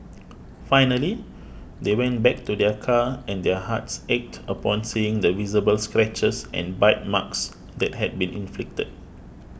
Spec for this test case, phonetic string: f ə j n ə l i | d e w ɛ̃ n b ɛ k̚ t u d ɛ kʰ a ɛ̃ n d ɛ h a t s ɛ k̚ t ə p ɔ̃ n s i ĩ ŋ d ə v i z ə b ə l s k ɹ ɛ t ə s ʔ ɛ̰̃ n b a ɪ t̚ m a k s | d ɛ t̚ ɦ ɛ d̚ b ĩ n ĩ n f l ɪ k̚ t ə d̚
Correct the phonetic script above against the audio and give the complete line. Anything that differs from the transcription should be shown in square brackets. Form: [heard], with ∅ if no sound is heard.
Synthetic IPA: f [a] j n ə l i | d e w ɛ̃ n b ɛ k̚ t u d ɛ kʰ a ɛ̃ n d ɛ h a t s ɛ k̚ t ə p ɔ̃ n s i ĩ ŋ d ə v i z ə b ə l s k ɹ ɛ [t͡ʃ] ə s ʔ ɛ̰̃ n b a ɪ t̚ m a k s | d ɛ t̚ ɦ ɛ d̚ b ĩ n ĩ n f l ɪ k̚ t ə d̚